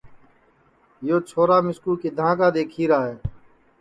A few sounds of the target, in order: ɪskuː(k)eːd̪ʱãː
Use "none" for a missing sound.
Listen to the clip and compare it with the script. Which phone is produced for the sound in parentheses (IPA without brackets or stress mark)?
k